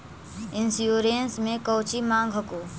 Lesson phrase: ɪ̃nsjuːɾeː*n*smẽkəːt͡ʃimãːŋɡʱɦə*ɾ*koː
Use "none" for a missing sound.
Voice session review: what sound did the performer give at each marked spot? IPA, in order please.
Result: n, none

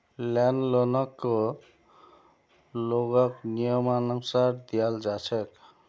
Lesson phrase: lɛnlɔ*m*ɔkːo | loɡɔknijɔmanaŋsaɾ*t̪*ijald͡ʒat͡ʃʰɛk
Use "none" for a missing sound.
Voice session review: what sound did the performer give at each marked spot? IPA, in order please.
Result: n, d̪

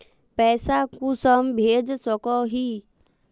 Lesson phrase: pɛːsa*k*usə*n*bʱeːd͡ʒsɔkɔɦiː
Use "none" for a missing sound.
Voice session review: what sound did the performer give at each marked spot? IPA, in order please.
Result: k, m

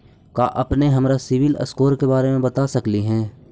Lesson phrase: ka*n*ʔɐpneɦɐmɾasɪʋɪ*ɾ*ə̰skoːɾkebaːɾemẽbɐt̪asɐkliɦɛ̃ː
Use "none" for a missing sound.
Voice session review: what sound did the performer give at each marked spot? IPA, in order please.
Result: none, l

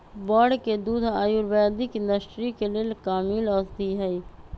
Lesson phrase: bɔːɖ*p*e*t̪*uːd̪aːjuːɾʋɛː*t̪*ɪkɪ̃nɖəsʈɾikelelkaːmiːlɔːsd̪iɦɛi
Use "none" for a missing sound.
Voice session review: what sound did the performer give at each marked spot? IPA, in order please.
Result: k, d̪, d̪

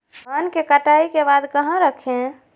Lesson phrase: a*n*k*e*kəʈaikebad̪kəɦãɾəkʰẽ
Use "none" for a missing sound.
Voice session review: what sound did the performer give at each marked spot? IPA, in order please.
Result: n, e

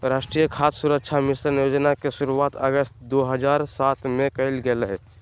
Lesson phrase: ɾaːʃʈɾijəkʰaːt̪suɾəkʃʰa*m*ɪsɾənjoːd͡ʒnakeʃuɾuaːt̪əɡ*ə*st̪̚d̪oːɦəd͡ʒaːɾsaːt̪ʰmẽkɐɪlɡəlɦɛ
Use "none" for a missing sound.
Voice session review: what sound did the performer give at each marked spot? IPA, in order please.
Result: m, ə

